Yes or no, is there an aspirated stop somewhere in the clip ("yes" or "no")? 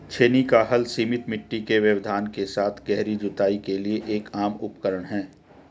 yes